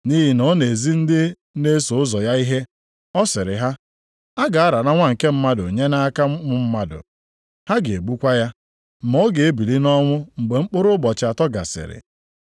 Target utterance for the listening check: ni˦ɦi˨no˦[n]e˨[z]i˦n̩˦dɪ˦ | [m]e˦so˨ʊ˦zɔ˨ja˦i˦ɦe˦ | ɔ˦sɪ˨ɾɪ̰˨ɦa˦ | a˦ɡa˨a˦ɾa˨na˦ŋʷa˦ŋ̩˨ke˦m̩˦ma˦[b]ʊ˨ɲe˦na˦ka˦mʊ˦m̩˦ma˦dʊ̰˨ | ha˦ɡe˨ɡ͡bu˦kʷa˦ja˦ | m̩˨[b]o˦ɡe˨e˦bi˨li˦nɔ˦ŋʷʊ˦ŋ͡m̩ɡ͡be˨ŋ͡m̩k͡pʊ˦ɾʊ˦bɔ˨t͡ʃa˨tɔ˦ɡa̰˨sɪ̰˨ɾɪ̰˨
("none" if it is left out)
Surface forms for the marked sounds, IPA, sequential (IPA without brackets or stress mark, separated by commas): n, z, n, d, m